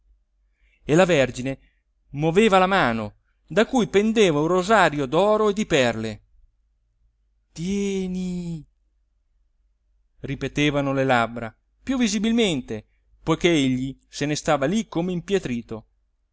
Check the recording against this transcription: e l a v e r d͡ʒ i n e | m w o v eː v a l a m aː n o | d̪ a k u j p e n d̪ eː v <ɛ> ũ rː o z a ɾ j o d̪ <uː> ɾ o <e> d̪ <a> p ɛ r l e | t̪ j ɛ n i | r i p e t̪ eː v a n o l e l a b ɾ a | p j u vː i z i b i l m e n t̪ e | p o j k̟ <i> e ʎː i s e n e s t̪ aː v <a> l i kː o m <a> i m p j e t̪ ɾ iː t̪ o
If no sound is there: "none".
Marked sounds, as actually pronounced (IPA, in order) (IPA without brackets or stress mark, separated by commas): a, ɔː, e, i, e, a, e